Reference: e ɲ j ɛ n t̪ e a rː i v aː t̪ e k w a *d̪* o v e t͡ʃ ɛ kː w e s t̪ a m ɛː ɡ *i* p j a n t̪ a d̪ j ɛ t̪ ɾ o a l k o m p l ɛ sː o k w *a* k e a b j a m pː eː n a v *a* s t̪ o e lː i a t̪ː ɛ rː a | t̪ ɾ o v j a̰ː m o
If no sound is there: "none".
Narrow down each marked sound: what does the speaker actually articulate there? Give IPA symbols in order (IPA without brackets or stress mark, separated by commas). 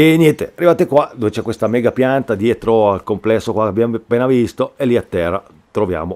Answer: d̪, a, a, i